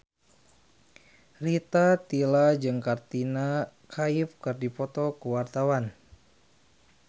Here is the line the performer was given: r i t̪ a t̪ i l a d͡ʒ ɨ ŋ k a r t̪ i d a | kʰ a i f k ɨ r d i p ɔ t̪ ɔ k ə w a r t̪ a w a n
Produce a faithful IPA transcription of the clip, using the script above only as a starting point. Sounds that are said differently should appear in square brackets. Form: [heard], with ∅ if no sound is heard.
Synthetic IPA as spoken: r i t̪ a t̪ i l a d͡ʒ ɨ ŋ k a r t̪ i [n] a | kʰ a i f k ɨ r d i p ɔ t̪ ɔ k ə w a r t̪ a w a n